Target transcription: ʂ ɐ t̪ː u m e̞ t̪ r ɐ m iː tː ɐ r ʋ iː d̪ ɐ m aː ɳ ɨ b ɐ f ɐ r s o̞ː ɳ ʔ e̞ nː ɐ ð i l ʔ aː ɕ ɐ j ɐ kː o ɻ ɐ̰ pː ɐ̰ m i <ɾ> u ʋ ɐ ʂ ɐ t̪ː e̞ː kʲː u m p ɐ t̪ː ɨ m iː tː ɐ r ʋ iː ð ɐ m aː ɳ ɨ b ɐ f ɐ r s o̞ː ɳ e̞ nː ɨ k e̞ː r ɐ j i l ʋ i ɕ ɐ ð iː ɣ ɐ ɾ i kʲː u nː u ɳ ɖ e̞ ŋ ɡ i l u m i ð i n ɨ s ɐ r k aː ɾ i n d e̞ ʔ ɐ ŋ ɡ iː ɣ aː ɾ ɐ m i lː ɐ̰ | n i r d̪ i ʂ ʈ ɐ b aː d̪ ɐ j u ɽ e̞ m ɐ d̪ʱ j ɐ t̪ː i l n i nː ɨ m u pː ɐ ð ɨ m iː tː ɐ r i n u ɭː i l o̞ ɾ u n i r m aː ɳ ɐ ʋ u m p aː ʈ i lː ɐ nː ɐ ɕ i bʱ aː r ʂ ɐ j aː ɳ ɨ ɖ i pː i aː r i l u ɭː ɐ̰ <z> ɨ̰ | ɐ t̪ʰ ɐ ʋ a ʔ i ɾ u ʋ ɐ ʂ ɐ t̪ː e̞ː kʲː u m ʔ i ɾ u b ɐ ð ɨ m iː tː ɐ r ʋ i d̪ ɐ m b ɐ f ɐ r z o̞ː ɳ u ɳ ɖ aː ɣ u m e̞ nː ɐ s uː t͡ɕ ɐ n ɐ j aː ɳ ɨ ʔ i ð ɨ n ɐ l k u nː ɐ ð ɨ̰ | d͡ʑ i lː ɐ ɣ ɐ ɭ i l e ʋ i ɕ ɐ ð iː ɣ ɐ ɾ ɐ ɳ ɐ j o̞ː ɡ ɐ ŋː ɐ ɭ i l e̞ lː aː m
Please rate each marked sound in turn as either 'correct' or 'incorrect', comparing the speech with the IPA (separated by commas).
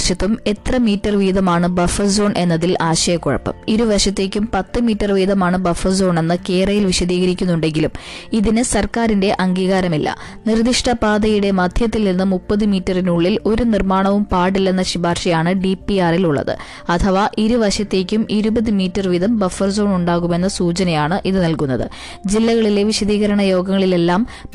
correct, incorrect